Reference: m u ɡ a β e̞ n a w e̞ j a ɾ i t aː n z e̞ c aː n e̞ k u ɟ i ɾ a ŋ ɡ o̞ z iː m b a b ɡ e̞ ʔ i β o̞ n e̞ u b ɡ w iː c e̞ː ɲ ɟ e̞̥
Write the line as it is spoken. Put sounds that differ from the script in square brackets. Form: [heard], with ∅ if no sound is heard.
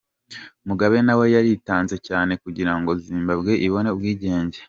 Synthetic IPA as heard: m u ɡ a β e̞ n a w e̞ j a ɾ i t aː n z e̞ c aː n e̞ k u ɟ i ɾ a ŋ ɡ o̞ z iː m b a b ɡ e̞ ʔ i β o̞ n e̞ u b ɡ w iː [ɟ] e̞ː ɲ ɟ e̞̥